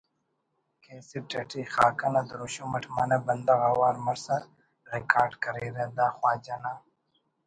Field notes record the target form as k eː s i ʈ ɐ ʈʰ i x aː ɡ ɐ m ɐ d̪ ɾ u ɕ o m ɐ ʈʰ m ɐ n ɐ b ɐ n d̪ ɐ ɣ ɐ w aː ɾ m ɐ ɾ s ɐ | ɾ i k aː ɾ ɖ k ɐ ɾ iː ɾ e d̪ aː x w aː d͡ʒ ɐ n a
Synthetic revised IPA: k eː s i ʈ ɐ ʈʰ i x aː k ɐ n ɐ d̪ ɾ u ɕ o m ɐ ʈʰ m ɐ n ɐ b ɐ n d̪ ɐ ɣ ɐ w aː ɾ m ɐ ɾ s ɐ | ɾ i k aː ɾ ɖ k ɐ ɾ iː ɾ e d̪ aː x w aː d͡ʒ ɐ n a

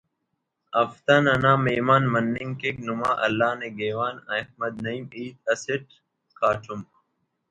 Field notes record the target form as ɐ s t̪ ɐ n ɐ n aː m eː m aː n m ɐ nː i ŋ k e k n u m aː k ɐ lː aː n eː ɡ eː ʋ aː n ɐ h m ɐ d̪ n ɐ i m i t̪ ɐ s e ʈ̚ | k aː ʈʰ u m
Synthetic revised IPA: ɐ f t̪ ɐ n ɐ n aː m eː m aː n m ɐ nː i ŋ k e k n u m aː ʔ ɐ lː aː n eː ɡ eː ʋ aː n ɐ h m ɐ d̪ n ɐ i m iː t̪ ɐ s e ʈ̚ | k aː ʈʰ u m

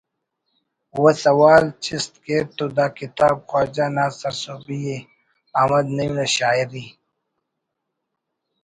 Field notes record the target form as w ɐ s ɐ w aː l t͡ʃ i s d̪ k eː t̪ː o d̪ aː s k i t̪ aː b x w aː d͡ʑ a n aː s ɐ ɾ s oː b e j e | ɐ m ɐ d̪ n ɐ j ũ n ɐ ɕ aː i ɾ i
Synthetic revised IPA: w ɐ s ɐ w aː l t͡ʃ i s t̪ k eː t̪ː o d̪ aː k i t̪ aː b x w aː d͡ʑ a n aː s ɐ ɾ s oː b i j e | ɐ m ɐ d̪ n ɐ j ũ n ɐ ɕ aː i ɾ i

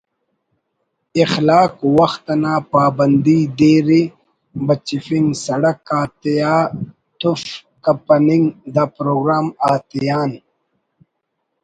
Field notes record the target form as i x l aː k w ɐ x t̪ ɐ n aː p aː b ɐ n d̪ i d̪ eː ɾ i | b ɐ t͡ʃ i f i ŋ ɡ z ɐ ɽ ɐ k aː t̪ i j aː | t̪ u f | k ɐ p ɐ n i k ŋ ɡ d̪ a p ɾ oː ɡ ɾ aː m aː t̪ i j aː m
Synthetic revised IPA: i x l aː k w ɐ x t̪ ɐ n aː p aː b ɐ n d̪ i d̪ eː ɾ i | b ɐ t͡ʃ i f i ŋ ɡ s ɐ ɽ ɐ k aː t̪ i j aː | t̪ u f | k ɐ p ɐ n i ŋ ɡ d̪ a p ɾ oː ɡ ɾ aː m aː t̪ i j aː n

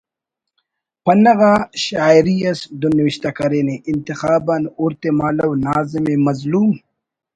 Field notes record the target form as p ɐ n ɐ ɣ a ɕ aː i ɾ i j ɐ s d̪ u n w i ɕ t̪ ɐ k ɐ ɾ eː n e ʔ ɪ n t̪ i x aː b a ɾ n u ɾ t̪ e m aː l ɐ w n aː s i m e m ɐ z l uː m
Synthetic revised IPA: p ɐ n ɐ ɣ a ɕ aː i ɾ i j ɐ s d̪ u n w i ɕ t̪ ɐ k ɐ ɾ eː n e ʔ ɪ n t̪ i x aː b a n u ɾ t̪ e m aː l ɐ w n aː z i m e m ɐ z l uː m

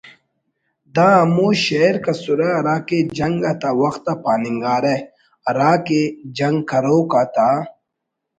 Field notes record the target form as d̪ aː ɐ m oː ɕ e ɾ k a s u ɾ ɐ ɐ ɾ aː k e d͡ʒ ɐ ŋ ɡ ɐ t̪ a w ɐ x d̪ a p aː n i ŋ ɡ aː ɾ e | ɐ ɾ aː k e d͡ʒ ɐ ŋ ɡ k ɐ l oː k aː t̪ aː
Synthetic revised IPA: d̪ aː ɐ m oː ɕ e ɾ k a s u ɾ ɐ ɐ ɾ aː k e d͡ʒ ɐ ŋ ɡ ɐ t̪ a w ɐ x t̪ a p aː n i ŋ ɡ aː ɾ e | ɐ ɾ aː k e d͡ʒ ɐ ŋ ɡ k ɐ ɾ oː k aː t̪ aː

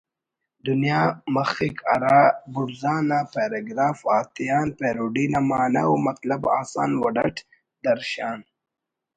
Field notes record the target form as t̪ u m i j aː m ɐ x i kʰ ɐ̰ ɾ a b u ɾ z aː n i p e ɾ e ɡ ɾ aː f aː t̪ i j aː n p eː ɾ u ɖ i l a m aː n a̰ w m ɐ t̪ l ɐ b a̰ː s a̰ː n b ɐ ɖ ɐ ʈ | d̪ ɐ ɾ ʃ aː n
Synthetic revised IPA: d̪ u n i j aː m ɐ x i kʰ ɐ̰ ɾ a b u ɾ z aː n a p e ɾ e ɡ ɾ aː f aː t̪ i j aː n p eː ɾ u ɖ i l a m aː n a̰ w m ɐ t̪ l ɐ b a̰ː s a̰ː n w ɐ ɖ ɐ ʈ | d̪ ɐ ɾ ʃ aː n

